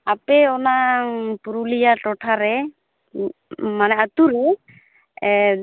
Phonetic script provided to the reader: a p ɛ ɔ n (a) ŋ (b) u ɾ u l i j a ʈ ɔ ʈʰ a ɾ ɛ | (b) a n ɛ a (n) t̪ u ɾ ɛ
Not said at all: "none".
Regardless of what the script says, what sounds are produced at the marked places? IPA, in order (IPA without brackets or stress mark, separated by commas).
a, p, m, none